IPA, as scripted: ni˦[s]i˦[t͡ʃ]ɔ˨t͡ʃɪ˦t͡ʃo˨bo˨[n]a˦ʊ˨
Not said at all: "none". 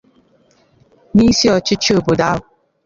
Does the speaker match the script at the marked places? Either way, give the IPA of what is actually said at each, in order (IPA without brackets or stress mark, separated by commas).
s, none, d